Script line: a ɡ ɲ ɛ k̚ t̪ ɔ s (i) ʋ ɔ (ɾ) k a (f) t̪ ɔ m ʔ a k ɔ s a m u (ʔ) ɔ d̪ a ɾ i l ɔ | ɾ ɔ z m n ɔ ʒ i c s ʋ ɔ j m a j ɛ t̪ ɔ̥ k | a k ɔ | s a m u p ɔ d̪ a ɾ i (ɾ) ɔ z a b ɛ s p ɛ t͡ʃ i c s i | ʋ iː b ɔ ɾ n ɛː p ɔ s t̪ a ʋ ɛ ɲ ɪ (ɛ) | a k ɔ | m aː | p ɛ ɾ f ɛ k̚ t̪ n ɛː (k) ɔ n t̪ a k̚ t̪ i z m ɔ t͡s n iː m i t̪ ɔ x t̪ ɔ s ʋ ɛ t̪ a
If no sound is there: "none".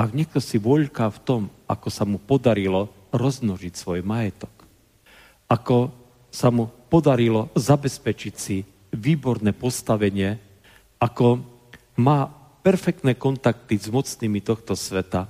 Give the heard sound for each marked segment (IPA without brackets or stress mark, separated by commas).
i, ʎ, f, p, l, ɛ, k